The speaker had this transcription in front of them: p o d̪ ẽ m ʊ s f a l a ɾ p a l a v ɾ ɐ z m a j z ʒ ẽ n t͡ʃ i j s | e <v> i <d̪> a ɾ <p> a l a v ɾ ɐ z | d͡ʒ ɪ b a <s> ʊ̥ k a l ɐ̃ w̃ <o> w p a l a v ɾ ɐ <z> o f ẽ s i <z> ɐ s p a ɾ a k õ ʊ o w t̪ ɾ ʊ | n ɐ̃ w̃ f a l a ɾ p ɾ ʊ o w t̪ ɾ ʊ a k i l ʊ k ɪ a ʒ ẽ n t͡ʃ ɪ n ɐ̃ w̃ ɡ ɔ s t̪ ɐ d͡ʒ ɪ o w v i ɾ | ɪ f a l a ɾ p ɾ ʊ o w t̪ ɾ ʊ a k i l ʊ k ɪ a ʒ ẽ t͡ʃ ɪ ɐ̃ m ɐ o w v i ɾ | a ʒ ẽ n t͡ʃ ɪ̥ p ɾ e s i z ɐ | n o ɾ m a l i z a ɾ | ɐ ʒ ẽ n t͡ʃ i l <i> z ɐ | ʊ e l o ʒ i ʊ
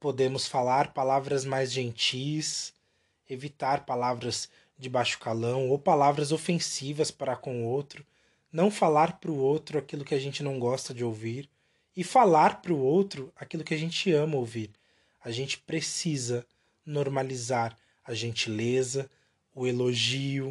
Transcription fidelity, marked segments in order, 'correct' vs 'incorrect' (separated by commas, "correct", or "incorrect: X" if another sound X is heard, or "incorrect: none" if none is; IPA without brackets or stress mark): correct, incorrect: t̪, correct, incorrect: ʃ, correct, correct, incorrect: v, incorrect: e